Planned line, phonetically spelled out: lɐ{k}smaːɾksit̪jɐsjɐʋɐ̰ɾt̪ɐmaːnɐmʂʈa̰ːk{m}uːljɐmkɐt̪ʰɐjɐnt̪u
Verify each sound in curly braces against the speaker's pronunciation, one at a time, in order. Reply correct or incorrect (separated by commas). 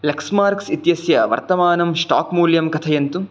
correct, correct